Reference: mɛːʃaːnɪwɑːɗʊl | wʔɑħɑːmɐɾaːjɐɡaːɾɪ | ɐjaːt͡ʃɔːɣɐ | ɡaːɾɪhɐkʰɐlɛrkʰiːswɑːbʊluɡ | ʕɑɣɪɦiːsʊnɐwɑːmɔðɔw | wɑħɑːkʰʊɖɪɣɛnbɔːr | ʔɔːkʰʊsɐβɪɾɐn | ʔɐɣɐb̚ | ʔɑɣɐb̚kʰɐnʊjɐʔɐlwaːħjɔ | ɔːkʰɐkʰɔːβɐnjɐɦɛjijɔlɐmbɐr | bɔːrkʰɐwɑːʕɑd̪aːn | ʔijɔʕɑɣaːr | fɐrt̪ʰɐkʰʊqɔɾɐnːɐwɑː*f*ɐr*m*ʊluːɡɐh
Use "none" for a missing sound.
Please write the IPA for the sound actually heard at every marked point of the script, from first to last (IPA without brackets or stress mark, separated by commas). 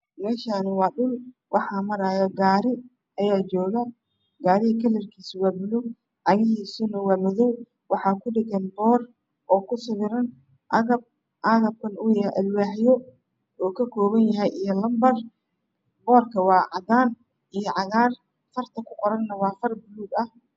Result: f, b